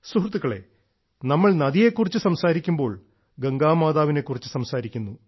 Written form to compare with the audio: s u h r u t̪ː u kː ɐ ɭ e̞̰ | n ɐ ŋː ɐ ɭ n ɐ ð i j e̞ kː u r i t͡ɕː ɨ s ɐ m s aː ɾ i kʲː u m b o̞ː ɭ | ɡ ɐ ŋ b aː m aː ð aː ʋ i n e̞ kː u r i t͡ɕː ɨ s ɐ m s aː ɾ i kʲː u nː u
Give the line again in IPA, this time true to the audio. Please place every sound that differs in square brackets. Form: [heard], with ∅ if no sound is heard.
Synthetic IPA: s u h r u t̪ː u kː ɐ ɭ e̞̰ | n ɐ [mː] ɐ ɭ n ɐ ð i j e̞ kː u r i t͡ɕː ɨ s ɐ m s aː ɾ i kʲː u m b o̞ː ɭ | ɡ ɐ ŋ [ɡ] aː m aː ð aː ʋ i n e̞ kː u r i t͡ɕː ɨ s ɐ m s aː ɾ i kʲː u nː u